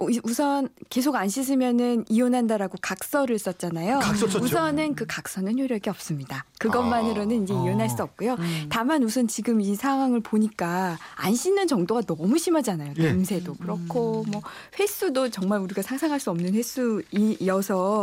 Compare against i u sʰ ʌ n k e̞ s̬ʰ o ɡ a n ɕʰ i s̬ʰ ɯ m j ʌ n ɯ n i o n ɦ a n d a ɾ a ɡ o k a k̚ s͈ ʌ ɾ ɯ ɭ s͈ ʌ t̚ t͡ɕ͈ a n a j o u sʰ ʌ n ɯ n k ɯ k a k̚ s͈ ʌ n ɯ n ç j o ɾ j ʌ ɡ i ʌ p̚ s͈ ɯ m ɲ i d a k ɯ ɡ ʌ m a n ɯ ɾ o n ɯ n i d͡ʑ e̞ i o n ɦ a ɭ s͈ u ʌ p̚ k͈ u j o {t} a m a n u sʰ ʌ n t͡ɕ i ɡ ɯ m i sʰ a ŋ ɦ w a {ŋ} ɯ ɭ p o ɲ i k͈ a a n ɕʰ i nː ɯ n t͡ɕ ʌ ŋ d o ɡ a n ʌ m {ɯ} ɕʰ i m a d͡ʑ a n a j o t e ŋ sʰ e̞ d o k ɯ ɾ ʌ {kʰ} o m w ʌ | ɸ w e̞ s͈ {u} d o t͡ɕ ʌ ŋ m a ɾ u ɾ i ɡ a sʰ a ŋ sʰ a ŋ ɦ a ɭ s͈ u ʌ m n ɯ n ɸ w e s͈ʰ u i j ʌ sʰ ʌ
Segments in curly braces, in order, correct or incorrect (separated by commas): correct, correct, incorrect, correct, correct